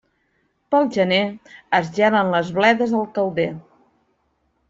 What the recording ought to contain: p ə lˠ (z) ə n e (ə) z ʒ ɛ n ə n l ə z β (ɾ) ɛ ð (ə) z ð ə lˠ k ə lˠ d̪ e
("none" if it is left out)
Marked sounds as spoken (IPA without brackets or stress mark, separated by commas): ʒ, ə, l, ə